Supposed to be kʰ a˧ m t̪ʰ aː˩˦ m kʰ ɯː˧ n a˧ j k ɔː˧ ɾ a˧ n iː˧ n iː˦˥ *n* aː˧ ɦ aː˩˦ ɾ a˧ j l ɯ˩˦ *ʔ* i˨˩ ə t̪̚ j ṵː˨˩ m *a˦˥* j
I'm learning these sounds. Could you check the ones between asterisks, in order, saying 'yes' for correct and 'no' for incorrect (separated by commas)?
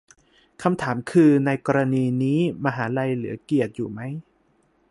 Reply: no, no, yes